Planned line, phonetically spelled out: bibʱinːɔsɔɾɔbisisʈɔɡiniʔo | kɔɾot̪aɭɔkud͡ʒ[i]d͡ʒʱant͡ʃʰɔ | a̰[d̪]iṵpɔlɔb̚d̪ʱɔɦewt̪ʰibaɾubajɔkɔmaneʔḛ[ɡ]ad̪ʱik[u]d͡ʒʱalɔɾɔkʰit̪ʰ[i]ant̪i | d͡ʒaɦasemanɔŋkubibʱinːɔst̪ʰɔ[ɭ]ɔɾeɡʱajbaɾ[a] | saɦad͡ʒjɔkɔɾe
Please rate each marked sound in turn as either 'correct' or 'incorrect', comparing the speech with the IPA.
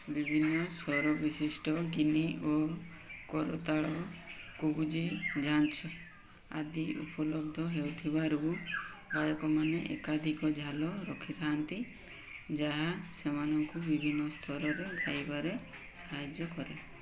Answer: correct, correct, incorrect, incorrect, incorrect, incorrect, incorrect

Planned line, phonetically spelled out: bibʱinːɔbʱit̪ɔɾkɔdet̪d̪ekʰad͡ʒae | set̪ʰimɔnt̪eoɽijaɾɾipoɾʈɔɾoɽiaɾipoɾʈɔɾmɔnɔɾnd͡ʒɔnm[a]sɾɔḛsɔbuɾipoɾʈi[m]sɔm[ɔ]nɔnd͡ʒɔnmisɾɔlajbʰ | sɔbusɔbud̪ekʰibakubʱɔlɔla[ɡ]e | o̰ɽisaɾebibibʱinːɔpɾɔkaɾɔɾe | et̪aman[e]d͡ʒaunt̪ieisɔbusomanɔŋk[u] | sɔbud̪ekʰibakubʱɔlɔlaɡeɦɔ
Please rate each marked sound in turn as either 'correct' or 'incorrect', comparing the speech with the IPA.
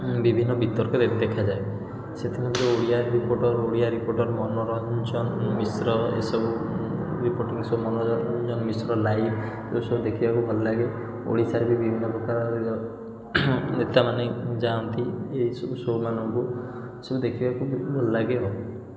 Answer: incorrect, incorrect, correct, correct, correct, correct

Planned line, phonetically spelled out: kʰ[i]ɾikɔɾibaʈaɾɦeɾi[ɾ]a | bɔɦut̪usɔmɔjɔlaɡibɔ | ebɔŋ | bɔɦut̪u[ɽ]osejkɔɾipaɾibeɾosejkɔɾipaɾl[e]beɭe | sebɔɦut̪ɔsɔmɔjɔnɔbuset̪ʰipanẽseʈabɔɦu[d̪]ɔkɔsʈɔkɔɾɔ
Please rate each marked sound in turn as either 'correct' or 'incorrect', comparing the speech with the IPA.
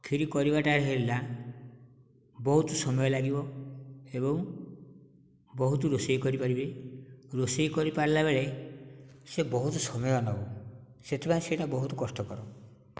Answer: correct, incorrect, incorrect, incorrect, incorrect

